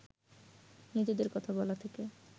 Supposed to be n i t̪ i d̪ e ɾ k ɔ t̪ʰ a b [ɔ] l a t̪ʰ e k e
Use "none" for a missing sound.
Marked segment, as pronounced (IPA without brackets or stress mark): ɔ